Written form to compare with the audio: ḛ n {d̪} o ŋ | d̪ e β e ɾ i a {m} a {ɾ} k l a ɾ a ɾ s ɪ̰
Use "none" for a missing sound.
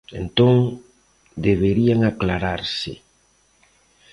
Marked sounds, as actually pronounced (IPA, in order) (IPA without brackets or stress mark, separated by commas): t̪, ŋ, none